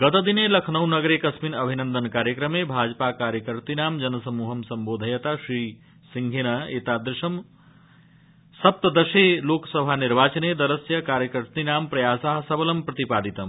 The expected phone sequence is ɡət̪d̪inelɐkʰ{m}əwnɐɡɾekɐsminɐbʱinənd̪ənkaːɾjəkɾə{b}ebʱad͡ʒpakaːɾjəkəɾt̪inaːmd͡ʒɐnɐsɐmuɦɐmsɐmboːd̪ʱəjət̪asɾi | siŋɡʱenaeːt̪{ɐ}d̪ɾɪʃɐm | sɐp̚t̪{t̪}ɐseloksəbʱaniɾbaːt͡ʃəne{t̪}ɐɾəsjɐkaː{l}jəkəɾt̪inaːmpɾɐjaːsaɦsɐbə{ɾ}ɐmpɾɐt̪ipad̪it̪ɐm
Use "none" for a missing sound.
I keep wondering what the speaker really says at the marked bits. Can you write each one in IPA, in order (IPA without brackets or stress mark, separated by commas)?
n, m, a, d̪, d̪, ɾ, l